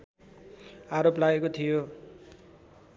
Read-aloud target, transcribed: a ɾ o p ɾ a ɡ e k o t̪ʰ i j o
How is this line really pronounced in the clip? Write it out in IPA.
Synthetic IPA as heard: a ɾ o p l a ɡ e k o t̪ʰ i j o